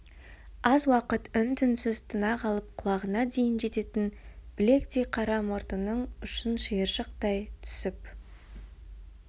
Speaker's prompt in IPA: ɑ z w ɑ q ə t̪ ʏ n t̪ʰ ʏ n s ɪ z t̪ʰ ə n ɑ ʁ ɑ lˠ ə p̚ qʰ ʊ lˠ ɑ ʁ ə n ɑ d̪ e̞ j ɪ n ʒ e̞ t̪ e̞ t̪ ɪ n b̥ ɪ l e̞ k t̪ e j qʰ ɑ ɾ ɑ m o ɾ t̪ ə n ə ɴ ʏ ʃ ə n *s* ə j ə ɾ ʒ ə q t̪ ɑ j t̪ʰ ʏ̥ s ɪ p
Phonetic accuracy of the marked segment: incorrect: ʃ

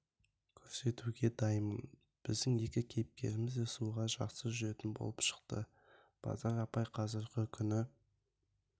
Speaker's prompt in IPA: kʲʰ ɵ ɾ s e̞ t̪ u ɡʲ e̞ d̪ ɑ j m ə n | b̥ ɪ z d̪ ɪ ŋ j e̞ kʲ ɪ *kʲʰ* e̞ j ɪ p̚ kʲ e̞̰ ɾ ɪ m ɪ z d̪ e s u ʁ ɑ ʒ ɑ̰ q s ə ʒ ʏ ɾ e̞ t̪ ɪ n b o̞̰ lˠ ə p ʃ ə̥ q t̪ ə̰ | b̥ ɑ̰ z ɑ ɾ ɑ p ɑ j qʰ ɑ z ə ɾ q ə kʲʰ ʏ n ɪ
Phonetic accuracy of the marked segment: correct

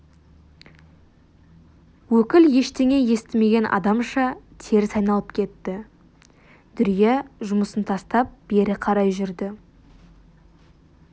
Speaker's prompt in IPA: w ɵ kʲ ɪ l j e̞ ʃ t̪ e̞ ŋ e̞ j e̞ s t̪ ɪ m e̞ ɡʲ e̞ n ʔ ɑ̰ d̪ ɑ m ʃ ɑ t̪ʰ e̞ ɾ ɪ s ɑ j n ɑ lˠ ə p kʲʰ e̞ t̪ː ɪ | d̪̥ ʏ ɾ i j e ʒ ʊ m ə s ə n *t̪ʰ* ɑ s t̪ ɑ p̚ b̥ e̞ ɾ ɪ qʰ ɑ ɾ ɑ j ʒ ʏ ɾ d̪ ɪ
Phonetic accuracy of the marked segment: correct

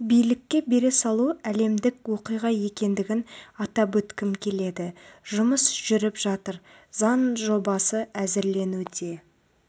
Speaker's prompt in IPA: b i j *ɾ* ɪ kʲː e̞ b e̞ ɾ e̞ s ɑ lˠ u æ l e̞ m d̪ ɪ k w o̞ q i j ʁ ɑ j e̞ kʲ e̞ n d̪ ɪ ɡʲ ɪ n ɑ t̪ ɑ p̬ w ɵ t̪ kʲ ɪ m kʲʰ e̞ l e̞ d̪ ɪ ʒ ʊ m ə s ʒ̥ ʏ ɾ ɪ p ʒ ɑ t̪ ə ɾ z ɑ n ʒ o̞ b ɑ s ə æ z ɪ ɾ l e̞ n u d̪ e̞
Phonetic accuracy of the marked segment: incorrect: l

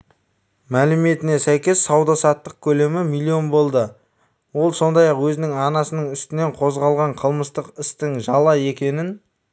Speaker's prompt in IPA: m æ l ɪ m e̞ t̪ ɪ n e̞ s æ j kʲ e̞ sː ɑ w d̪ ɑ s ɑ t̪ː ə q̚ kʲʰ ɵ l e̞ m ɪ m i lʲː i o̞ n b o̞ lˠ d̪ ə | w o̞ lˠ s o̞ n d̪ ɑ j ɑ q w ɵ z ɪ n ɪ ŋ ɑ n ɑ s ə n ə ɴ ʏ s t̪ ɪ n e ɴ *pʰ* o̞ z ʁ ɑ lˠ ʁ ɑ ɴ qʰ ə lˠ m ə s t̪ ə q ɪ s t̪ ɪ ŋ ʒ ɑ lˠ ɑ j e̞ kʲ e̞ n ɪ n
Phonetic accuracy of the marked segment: incorrect: qʰ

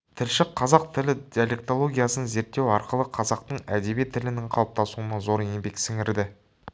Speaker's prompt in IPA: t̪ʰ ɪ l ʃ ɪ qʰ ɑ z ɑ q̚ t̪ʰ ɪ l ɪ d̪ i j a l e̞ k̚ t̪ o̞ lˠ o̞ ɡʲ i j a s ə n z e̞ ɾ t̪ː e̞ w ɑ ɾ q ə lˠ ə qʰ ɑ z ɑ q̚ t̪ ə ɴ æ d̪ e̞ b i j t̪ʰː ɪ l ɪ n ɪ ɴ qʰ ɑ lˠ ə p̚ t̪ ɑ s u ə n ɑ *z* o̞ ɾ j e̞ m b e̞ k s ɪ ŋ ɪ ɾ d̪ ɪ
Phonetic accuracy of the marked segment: correct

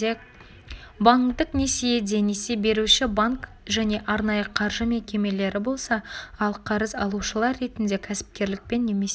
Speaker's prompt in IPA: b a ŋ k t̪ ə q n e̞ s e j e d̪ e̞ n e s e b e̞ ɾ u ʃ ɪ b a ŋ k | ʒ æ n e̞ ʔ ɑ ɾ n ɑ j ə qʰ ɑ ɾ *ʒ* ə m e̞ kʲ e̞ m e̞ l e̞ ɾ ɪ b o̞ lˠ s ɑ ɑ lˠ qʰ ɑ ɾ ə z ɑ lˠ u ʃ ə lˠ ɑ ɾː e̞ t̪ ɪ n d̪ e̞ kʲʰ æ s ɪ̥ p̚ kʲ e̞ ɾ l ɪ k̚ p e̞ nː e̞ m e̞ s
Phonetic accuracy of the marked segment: correct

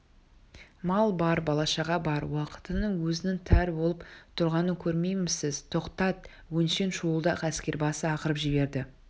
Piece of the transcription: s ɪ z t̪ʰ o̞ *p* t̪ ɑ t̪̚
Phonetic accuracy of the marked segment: incorrect: q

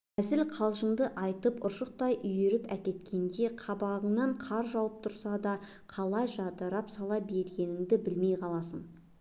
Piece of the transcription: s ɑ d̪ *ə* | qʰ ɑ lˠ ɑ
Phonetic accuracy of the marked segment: incorrect: ɑ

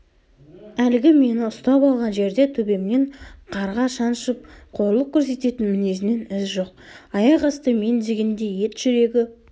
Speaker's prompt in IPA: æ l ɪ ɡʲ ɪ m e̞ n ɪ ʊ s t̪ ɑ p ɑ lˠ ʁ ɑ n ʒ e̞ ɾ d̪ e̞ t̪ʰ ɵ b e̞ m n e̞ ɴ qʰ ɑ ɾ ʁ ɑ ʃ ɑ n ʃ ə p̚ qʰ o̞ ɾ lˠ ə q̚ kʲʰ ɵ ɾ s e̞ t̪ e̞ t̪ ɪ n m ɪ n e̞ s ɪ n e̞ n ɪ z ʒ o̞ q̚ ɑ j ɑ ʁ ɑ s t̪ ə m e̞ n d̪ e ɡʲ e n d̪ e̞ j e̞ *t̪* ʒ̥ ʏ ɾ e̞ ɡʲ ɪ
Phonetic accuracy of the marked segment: correct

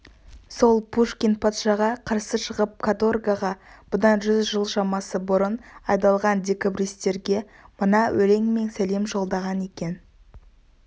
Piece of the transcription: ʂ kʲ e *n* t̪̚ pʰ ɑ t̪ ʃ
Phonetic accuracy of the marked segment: correct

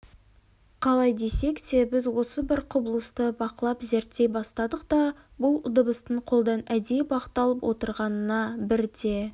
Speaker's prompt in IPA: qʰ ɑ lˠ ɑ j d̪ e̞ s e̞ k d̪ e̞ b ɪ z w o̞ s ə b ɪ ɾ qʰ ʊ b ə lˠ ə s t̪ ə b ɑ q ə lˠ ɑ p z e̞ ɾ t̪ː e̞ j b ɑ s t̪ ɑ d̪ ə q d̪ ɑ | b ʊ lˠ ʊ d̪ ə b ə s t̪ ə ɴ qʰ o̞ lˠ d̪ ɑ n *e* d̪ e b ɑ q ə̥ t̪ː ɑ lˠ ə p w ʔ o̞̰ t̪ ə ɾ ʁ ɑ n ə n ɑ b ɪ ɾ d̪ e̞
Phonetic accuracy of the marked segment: incorrect: æ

